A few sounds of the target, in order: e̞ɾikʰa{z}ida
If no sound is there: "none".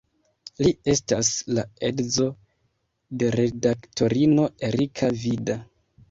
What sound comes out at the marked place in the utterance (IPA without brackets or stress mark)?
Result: v